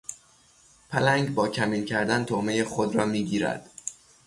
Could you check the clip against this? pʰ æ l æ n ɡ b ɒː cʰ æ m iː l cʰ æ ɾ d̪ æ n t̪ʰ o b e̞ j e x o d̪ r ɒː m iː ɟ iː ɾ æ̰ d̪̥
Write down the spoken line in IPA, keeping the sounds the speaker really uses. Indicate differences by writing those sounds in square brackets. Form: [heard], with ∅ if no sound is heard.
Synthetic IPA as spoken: pʰ æ l æ [ŋ] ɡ b ɒː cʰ æ m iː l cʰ æ ɾ d̪ æ n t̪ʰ o [m] e̞ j e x o d̪ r ɒː m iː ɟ iː ɾ æ̰ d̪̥